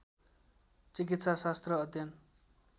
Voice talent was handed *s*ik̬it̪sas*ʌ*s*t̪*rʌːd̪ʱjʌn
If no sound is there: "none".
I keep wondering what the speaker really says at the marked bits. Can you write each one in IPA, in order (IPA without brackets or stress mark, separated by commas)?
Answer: t͡s, a, t̪